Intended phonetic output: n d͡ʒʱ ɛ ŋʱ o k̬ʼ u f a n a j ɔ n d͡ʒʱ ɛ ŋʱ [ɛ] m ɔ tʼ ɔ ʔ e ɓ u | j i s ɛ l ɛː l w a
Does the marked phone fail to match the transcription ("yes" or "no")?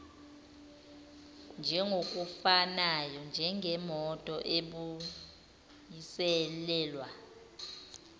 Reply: no